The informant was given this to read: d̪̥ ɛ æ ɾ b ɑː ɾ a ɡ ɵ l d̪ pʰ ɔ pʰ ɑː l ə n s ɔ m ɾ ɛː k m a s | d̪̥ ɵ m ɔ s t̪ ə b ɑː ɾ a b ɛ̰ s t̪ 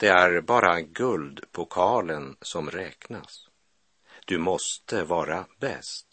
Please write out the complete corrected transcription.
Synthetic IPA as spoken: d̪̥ ɛ æ ɾ b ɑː ɾ a ɡ ɵ l d̪ pʰ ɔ kʰ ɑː l ə n s ɔ m ɾ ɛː k n a s | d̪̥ ɵ m ɔ s t̪ ə v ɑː ɾ a b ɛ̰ s t̪